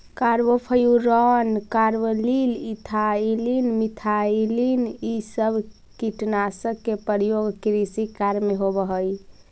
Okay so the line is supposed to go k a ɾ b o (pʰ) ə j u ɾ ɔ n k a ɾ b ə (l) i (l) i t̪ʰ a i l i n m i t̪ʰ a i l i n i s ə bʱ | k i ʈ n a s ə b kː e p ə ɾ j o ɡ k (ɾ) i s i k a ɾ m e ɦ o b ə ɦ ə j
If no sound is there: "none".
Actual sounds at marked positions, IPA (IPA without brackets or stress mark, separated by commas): pʰ, l, l, ɾ